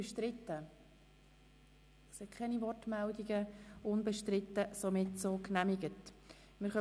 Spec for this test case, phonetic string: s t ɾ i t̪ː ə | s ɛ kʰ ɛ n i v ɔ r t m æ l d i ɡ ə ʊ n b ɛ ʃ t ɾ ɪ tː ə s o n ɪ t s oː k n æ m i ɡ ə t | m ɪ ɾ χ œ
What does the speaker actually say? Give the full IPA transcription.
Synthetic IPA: ʃ t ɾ ɪ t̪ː ə | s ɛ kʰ ɛ n i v ɔ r t m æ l d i ɡ ə ʊ n b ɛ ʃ t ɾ ɪ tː ə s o m ɪ t s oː k n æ m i ɡ ə t | m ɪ ɾ χ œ